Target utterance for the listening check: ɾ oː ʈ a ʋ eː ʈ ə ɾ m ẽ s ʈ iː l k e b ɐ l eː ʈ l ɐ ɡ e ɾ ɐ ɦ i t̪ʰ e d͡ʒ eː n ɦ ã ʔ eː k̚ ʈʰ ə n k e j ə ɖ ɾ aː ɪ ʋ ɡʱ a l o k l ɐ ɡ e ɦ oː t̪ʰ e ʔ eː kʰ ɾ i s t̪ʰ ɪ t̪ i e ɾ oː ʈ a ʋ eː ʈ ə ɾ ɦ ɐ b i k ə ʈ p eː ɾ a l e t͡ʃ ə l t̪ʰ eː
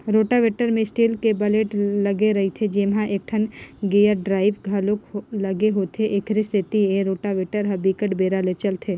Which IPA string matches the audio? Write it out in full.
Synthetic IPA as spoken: ɾ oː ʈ a ʋ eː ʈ ə ɾ m ẽ s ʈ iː l k e b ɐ l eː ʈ l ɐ ɡ e ɾ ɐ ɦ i t̪ʰ e d͡ʒ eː m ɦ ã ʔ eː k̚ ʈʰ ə n ɡ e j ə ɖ ɾ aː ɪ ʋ ɡʱ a l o k l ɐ ɡ e ɦ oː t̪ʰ e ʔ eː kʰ ɾ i s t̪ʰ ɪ t̪ i e ɾ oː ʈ a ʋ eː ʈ ə ɾ ɦ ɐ b i k ə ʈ b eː ɾ a l e t͡ʃ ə l t̪ʰ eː